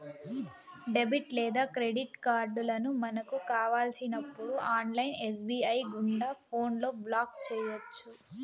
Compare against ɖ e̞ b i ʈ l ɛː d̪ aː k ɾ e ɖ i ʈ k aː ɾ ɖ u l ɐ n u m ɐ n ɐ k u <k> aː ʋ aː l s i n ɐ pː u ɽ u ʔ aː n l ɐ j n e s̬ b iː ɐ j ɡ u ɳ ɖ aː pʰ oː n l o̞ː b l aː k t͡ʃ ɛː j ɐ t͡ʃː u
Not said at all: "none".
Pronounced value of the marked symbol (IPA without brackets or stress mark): k